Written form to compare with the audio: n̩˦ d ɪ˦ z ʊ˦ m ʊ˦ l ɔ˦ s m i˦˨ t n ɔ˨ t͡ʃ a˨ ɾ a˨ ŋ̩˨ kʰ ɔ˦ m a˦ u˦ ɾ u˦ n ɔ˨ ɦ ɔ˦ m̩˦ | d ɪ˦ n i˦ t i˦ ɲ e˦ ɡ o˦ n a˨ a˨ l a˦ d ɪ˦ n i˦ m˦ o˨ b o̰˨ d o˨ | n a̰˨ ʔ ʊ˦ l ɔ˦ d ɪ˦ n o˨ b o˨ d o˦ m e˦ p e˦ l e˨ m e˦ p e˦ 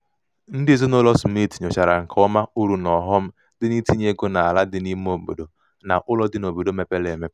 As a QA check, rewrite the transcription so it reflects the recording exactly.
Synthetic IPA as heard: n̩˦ d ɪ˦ z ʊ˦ n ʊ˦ l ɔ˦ s m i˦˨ t ɲ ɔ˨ t͡ʃ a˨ ɾ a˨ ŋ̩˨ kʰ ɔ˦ m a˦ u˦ ɾ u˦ n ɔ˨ ɦ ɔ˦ m̩˦ | d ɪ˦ n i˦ t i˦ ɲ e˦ ɡ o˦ n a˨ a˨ l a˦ d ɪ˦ n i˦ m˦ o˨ b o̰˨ d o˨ | n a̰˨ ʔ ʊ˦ l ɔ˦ d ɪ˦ n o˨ b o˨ d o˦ m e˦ p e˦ l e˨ m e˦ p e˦